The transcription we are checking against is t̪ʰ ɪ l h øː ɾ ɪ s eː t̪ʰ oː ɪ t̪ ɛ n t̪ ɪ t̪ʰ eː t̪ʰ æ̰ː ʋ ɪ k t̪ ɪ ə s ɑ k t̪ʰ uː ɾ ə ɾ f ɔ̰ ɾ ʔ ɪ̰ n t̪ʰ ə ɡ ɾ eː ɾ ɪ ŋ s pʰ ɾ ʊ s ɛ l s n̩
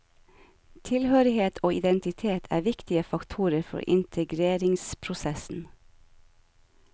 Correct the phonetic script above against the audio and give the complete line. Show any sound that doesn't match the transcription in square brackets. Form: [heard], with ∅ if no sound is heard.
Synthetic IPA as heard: t̪ʰ ɪ l h øː ɾ ɪ [h] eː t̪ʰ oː ɪ [d̪] ɛ n t̪ ɪ t̪ʰ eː t̪ʰ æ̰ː ʋ ɪ k t̪ ɪ ə [f] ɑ k t̪ʰ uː ɾ ə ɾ f ɔ̰ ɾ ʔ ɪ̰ n t̪ʰ ə ɡ ɾ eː ɾ ɪ ŋ s pʰ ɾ ʊ s ɛ [∅] s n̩